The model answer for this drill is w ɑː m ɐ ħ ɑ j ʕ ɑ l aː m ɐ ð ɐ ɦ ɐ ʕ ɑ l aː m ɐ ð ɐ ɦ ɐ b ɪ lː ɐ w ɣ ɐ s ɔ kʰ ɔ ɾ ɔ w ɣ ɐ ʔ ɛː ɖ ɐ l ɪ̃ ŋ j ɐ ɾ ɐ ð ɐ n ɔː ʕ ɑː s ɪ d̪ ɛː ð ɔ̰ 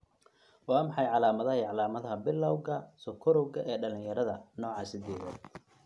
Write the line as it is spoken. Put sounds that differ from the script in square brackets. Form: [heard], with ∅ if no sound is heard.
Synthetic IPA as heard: w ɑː m [ɑ] ħ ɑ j ʕ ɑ l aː m ɐ ð ɐ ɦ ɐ ʕ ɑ l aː m ɐ ð ɐ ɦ ɐ b ɪ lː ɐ w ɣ ɐ s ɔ kʰ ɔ ɾ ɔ w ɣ ɐ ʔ ɛː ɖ ɐ l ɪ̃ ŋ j ɐ ɾ ɐ ð ɐ n ɔː ʕ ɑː s ɪ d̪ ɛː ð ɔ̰